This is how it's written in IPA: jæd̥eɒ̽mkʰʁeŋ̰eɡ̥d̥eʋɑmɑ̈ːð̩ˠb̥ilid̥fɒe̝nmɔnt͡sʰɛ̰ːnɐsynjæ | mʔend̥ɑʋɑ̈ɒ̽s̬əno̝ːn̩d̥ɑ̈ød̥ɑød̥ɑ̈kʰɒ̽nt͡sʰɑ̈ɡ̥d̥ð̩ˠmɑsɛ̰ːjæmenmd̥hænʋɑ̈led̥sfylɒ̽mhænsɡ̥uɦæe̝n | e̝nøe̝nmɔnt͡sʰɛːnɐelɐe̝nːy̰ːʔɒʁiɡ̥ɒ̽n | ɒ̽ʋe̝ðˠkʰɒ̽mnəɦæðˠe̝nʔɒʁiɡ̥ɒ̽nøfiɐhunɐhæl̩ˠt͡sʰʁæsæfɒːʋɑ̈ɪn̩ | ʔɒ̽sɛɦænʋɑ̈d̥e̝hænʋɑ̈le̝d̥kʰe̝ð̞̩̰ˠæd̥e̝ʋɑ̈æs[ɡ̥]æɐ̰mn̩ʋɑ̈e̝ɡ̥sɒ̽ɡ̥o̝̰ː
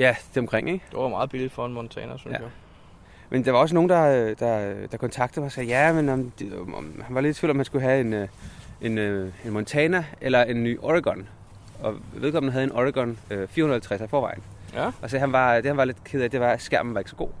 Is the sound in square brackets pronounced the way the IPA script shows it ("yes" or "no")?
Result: yes